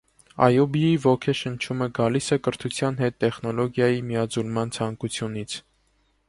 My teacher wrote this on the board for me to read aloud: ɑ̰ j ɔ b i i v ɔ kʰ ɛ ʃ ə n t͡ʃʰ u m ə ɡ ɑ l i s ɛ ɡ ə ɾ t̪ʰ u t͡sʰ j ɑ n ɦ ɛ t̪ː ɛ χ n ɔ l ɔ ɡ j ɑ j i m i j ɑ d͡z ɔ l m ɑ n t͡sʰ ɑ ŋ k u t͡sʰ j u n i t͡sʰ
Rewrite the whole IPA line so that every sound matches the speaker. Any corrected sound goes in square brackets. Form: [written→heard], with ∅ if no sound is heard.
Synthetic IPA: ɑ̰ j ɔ b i i v ɔ kʰ ɛ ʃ ə n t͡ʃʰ u m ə ɡ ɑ l i s ɛ [ɡ→k] ə ɾ t̪ʰ u t͡sʰ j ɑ n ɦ ɛ t̪ː ɛ χ n ɔ l ɔ ɡ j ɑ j i m i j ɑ d͡z [ɔ→u] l m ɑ n t͡sʰ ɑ ŋ k u t͡sʰ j u n i t͡sʰ